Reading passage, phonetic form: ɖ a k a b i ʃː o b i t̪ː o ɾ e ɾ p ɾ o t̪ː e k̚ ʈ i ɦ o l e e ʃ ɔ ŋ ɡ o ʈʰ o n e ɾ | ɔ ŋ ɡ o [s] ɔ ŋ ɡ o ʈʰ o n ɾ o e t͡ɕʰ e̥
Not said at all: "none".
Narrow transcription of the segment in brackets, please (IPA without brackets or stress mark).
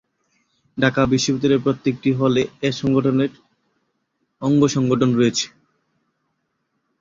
ʃ